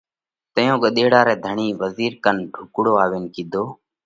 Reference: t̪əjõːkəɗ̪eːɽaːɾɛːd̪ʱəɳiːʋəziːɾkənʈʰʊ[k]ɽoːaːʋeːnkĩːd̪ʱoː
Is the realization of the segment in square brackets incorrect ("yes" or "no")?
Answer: no